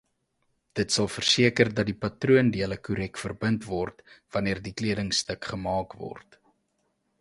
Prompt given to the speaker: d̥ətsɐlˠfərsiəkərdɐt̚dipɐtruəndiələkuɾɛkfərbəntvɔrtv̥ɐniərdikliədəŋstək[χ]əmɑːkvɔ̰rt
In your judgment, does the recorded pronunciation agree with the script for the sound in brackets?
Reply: yes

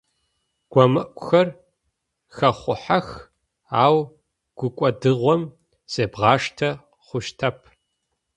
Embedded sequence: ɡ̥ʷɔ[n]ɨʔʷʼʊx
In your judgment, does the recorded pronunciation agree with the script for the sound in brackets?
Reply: no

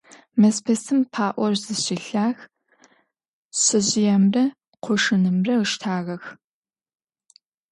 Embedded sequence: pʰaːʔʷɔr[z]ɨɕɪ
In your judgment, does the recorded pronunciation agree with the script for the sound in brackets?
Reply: yes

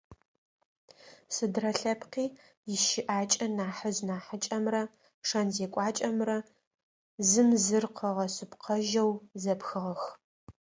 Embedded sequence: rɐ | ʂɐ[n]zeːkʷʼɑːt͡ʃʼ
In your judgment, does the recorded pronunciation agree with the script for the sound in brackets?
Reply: yes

